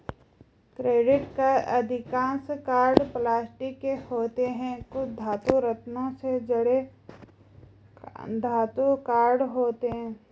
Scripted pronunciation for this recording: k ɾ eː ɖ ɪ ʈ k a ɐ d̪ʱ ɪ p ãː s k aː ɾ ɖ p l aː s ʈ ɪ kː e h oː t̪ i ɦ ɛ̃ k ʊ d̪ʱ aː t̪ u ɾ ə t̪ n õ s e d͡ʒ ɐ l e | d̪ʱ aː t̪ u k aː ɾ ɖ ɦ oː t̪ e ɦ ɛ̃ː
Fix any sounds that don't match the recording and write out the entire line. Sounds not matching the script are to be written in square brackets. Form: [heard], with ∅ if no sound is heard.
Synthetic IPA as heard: k ɾ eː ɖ ɪ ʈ k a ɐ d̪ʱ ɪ [k] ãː s k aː ɾ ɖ p l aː s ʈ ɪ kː e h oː t̪ [e] ɦ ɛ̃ k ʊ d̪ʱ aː t̪ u ɾ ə t̪ n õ s e d͡ʒ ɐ [ɽ] e | d̪ʱ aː t̪ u k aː ɾ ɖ ɦ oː t̪ e ɦ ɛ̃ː